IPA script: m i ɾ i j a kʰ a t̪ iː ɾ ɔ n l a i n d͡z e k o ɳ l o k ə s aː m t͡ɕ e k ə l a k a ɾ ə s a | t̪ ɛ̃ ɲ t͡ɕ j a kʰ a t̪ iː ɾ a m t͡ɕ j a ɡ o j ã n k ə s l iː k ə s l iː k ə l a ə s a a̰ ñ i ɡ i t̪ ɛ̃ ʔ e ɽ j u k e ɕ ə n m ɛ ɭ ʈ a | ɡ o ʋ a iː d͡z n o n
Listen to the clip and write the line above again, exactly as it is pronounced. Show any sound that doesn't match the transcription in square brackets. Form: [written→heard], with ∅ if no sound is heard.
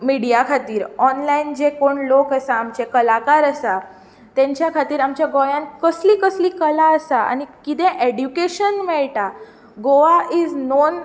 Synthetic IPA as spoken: m i [ɾ→ɽ] i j a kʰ a t̪ iː ɾ ɔ n l a i n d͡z e k o ɳ l o k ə s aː m t͡ɕ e k ə l a k a ɾ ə s a | t̪ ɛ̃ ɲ t͡ɕ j a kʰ a t̪ iː ɾ a m t͡ɕ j a ɡ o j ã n k ə s l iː k ə s l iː k ə l a ə s a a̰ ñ i [ɡ→k] i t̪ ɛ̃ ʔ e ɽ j u k e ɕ ə n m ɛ ɭ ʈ a | ɡ o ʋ a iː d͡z n o n